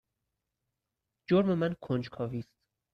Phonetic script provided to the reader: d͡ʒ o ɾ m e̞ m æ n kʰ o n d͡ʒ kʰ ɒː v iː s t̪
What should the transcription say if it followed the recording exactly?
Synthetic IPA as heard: d͡ʒ o ɾ m e̞ m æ n kʰ o n d͡ʒ kʰ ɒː v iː s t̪